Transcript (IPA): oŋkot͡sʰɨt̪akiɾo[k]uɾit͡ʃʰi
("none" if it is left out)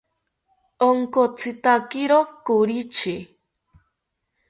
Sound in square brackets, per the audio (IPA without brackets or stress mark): k